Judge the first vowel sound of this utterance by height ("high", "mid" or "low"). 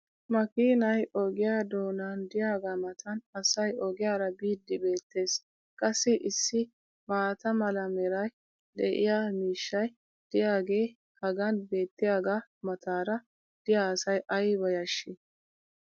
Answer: low